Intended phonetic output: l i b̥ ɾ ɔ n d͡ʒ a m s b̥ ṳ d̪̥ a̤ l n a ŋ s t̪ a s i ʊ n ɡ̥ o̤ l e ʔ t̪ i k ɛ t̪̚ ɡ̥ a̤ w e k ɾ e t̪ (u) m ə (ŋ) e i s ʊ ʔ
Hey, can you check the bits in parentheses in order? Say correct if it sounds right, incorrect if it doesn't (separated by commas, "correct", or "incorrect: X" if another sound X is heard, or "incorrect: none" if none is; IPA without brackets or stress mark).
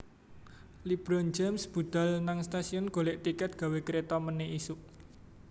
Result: incorrect: ɔ, incorrect: n